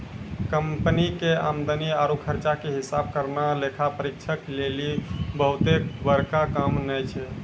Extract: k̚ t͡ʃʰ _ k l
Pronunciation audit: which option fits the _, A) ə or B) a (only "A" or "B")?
A